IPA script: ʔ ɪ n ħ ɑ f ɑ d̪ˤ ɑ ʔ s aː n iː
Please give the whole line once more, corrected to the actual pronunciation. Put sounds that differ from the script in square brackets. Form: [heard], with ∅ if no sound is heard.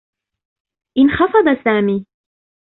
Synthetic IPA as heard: ʔ ɪ n [x] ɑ f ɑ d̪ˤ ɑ [∅] s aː [m] iː